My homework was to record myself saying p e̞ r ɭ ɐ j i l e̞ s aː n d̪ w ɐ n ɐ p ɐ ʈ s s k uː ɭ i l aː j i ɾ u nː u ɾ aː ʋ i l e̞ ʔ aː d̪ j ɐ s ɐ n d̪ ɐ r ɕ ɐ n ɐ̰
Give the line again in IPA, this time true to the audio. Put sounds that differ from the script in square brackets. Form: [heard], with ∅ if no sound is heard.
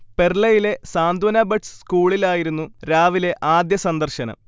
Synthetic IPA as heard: p e̞ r ɭ ɐ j i l e̞ s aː n d̪ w ɐ n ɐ [b] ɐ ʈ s s k uː ɭ i l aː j i ɾ u nː u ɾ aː ʋ i l e̞ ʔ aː d̪ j ɐ s ɐ n d̪ ɐ r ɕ ɐ n ɐ̰